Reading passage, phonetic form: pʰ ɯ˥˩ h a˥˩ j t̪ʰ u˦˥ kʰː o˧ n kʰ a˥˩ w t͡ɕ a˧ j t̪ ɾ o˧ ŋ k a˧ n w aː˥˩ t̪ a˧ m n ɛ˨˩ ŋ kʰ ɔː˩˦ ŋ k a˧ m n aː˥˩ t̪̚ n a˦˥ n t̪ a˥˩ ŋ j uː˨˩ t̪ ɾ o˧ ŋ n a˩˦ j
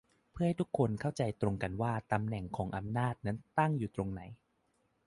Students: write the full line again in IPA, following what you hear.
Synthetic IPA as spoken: pʰ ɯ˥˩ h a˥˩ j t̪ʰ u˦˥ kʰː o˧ n kʰ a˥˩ w t͡ɕ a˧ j t̪ ɾ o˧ ŋ k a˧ n w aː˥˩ t̪ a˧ m n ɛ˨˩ ŋ kʰ ɔː˩˦ ŋ ʔ a˧ m n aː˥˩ t̪̚ n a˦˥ n t̪ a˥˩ ŋ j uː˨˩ t̪ ɾ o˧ ŋ n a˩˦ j